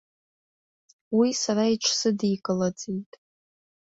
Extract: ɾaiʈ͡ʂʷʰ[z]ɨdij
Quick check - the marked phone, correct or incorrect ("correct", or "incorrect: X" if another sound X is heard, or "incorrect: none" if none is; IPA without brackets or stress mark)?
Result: incorrect: s